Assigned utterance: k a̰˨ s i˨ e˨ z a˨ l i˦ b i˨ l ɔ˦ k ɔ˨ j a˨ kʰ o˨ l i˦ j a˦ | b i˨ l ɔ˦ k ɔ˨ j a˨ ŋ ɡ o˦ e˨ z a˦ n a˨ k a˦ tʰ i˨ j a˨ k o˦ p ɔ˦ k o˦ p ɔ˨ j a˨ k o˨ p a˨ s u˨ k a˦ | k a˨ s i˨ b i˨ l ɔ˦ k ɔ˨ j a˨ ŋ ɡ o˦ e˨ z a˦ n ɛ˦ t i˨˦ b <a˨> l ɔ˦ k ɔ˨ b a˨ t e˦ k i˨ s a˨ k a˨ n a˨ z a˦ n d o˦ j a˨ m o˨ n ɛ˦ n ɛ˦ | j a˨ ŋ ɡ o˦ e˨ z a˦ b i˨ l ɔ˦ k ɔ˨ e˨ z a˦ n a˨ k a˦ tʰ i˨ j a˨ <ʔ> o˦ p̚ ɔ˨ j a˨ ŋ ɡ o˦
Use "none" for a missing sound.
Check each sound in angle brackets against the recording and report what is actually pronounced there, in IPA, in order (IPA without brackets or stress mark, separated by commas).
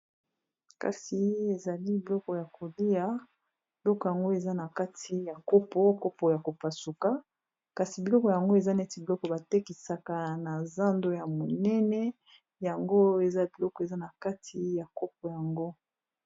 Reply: i˨, k